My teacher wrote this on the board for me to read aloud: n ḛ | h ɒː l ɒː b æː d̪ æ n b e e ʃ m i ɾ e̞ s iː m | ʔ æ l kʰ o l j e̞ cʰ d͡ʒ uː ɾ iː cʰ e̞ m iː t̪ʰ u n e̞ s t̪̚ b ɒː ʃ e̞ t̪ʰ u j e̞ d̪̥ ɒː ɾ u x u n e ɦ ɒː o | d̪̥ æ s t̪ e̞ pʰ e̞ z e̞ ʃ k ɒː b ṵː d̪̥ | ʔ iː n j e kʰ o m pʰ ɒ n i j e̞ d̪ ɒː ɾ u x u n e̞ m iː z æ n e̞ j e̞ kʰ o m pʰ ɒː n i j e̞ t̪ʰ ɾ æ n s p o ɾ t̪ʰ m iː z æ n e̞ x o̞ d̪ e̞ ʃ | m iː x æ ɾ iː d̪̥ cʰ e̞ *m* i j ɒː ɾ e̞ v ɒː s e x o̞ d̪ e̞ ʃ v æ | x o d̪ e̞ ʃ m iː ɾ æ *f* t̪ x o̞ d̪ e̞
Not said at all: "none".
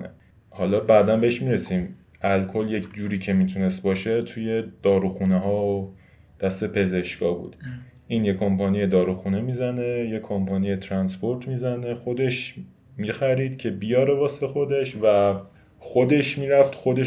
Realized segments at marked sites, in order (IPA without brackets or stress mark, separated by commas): b, f